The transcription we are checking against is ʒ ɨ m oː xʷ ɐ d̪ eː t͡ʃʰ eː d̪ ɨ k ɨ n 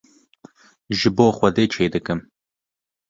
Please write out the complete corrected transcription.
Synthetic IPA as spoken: ʒ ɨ b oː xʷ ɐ d̪ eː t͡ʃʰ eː d̪ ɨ k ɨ m